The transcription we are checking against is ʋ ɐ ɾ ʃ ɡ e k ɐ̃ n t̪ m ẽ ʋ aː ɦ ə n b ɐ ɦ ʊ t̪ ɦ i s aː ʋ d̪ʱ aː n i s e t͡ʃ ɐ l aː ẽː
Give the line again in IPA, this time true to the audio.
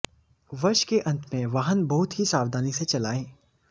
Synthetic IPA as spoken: ʋ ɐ ɾ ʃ k e ʔ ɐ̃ n t̪ m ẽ ʋ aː ɦ ə n b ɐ ɦ ʊ t̪ ɦ i s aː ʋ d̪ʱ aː n i s e t͡ʃ ɐ l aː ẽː

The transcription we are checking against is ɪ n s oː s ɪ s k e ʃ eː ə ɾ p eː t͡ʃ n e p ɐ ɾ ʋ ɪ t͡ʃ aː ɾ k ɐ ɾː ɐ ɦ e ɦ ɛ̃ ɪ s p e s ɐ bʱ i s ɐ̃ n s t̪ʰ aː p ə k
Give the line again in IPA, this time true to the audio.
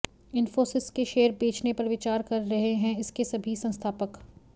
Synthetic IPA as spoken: ɪ n f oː s ɪ s k e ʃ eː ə ɾ b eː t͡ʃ n e p ɐ ɾ ʋ ɪ t͡ʃ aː ɾ k ɐ ɾː ɐ ɦ e ɦ ɛ̃ ɪ s k e s ɐ bʱ i s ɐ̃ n s t̪ʰ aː p ə k

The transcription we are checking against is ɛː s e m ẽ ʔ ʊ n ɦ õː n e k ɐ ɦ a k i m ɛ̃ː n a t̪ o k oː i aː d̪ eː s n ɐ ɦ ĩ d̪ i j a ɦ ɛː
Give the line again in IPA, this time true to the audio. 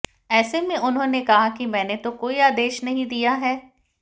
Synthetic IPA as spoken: ɛː s e m ẽ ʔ ʊ n ɦ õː n e k ɐ ɦ a k i m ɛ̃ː n e t̪ o k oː i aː d̪ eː ʃ n ɐ ɦ ĩ d̪ i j a ɦ ɛː

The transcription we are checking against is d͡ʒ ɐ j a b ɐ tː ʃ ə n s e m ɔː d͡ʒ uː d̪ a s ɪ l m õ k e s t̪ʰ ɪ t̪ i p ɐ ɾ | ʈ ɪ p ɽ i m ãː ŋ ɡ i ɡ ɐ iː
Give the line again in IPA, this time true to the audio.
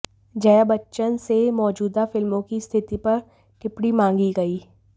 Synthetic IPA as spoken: d͡ʒ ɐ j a b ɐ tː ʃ ə n s e m ɔː d͡ʒ uː d̪ a f ɪ l m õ k i s t̪ʰ ɪ t̪ i p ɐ ɾ | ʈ ɪ p ɽ i m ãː ŋ ɡ i ɡ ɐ iː

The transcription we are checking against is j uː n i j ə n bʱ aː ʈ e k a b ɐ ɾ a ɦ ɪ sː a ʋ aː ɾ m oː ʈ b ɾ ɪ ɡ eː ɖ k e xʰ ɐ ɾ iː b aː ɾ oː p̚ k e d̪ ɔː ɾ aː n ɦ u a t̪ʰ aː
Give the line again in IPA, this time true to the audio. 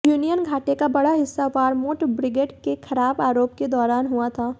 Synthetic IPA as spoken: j uː n i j ə n ɡʱ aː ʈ e k a b ɐ ɽ a ɦ ɪ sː a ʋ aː ɾ m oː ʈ b ɾ ɪ ɡ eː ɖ k e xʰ ɐ ɾ aː b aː ɾ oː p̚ k e d̪ ɔː ɾ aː n ɦ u a t̪ʰ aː

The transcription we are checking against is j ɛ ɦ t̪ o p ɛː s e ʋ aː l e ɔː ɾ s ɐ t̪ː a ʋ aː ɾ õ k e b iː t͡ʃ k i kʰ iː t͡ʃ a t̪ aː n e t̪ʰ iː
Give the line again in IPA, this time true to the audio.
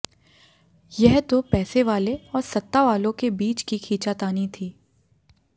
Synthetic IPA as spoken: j ɛ ɦ t̪ o p ɛː s e ʋ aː l e ɔː ɾ s ɐ t̪ː a ʋ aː l õ k e b iː t͡ʃ k i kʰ iː t͡ʃ a t̪ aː n i t̪ʰ iː

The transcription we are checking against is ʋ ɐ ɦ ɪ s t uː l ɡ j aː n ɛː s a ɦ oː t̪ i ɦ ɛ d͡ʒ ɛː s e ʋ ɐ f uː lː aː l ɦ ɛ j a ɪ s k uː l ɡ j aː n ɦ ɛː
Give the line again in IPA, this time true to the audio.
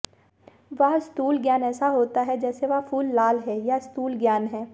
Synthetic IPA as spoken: ʋ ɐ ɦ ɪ s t uː l ɡ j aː n ɛː s a ɦ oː t̪ a ɦ ɛ d͡ʒ ɛː s e ʋ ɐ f uː lː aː l ɦ ɛ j a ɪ s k uː l ɡ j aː n ɦ ɛː

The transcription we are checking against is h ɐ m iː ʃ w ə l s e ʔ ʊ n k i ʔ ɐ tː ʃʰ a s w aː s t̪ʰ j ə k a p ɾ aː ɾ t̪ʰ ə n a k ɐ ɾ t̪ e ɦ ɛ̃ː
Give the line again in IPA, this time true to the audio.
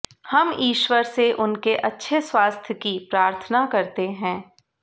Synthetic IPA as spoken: h ɐ m iː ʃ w ə ɾ s e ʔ ʊ n k e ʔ ɐ tː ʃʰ e s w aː s t̪ʰ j ə k i p ɾ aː ɾ t̪ʰ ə n a k ɐ ɾ t̪ e ɦ ɛ̃ː

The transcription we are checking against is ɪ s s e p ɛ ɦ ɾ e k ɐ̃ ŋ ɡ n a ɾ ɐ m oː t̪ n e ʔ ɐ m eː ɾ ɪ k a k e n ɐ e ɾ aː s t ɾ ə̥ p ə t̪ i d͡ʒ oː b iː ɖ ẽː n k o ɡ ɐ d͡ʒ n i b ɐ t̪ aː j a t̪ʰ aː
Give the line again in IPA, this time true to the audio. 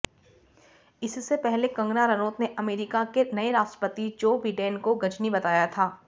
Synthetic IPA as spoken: ɪ s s e p ɛ ɦ l e k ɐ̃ ŋ ɡ n a ɾ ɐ n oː t̪ n e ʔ ɐ m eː ɾ ɪ k a k e n ɐ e ɾ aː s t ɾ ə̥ p ə t̪ i d͡ʒ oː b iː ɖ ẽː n k o ɡ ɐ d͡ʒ n i b ɐ t̪ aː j a t̪ʰ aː

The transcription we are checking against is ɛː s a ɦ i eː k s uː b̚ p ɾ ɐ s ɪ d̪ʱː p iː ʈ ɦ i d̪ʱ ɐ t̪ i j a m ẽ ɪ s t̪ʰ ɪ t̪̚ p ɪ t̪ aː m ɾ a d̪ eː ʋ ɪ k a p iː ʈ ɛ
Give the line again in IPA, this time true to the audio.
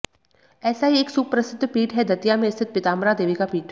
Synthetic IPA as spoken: ɛː s a ɦ i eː k s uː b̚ p ɾ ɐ s ɪ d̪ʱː p iː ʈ ɦ ɛ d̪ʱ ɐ t̪ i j a m ẽ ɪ s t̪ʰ ɪ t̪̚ p ɪ t̪ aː m ɾ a d̪ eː ʋ i k a p iː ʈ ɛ

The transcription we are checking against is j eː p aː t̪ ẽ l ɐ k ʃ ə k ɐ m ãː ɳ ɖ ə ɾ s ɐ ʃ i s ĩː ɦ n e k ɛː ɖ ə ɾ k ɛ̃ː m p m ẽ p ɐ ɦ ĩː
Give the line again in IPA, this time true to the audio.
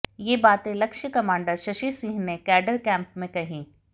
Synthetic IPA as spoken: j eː b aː t̪ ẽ l ɐ k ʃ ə k ɐ m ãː ɳ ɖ ə ɾ ʃ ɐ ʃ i s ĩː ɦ n e k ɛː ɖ ə ɾ k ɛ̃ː m p m ẽ k ɐ ɦ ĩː

